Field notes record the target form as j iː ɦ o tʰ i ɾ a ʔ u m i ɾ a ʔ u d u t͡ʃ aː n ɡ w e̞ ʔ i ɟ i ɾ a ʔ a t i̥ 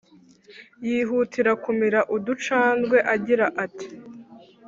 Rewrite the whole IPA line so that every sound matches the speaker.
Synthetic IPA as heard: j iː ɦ u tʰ i ɾ a k u m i ɾ a ʔ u d u t͡ʃ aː n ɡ w e̞ ʔ a ɟ i ɾ a ʔ a t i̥

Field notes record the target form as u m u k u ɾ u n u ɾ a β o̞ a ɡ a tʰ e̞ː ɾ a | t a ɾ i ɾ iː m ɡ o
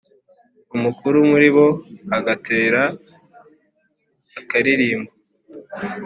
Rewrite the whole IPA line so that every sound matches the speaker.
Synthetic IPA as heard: u m u k u ɾ u m u ɾ i β o̞ a ɡ a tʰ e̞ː ɾ a | k a ɾ i ɾ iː m b o

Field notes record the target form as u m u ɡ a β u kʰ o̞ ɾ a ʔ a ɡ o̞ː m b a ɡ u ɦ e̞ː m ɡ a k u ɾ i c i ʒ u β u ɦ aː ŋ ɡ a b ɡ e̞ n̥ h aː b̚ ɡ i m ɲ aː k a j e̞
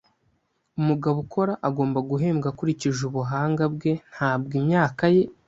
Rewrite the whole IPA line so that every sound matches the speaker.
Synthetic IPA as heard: u m u ɡ a β u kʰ o̞ ɾ a ʔ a ɡ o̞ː m b a ɡ u ɦ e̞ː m ɡ a k u ɾ i c i ʒ u β u ɦ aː ŋ ɡ a b ɡ e̞ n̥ h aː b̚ ɡ i m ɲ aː k a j e̞

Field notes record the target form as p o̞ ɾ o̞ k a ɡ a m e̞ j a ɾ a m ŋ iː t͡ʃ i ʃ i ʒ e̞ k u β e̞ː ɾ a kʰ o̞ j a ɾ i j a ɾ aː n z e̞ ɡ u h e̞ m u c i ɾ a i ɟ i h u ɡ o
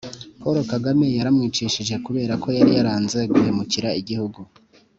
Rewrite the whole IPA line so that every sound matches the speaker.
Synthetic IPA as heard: p o̞ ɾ o̞ k a ɡ a m e̞ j a ɾ a m ŋ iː t͡ʃ i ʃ i ʒ e̞ k u β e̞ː ɾ a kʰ o̞ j a ɾ i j a ɾ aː n z e̞ ɡ u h e̞ m u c i ɾ a i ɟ i h u ɡ u

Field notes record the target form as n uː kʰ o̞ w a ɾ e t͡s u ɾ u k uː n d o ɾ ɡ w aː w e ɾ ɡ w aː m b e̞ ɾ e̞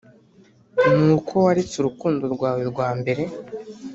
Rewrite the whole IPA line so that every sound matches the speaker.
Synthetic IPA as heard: n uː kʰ o̞ w a ɾ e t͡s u ɾ u k uː n d o ɾ ɡ w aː w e ɾ ɡ w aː m b e̞ ɾ e̞

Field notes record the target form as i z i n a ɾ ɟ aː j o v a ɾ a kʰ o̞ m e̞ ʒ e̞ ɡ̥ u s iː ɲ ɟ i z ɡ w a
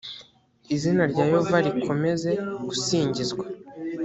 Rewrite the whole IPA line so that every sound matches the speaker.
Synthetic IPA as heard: i z i n a ɾ ɟ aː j o v a ɾ i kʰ o̞ m e̞ z e̞ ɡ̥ u s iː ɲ ɟ i z ɡ w a

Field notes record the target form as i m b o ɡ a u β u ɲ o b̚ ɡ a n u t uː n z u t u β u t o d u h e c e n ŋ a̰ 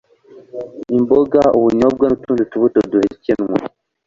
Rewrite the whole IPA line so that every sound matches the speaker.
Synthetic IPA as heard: i m b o ɡ a u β u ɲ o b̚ ɡ a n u t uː n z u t u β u t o d u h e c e n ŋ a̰

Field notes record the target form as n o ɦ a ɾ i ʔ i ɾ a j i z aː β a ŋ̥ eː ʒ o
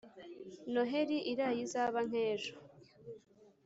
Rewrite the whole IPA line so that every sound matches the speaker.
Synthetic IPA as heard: n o ɦ e ɾ i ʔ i ɾ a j i z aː β a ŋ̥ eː ʒ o

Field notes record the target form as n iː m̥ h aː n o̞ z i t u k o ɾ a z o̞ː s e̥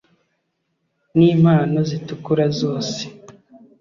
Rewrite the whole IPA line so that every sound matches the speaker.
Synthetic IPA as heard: n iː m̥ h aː n o̞ z i t u k u ɾ a z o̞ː s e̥

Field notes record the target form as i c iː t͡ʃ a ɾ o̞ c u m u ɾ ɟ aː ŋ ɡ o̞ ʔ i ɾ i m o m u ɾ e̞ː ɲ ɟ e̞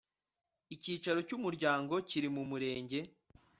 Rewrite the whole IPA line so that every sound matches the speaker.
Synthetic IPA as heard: i c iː t͡ʃ a ɾ o̞ c u m u ɾ ɟ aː ŋ ɡ o̞ c i ɾ i m u m u ɾ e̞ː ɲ ɟ e̞

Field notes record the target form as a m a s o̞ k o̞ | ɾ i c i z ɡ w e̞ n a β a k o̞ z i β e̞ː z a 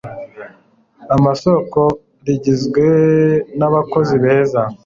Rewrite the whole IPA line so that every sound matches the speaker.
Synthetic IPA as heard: a m a s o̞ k o̞ | ɾ i ɟ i z ɡ w e̞ n a β a k o̞ z i β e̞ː z a

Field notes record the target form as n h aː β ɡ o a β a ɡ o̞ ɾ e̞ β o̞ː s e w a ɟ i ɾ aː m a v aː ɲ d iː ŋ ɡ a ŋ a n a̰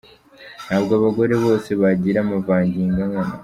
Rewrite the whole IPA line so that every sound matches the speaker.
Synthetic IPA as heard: n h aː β ɡ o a β a ɡ o̞ ɾ e̞ β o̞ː s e β a ɟ i ɾ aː m a v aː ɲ ɟ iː ŋ ɡ a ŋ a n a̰

